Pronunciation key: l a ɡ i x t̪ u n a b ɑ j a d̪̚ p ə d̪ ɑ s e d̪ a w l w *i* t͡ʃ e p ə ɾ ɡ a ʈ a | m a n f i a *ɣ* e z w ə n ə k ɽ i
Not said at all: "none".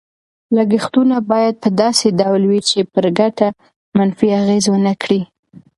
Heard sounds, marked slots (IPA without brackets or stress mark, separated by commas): i, ɣ